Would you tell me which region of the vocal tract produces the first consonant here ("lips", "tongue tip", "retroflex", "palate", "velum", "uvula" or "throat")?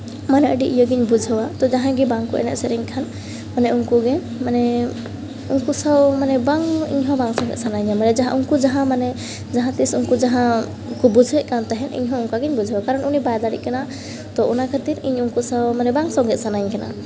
lips